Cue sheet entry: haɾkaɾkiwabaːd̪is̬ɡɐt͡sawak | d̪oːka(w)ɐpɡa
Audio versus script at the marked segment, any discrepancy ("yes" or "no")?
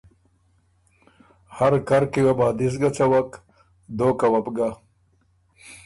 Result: no